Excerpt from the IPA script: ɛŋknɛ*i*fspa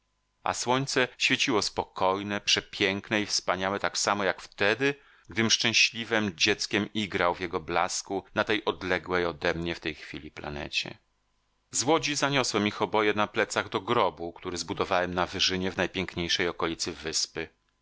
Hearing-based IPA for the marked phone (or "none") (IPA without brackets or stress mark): i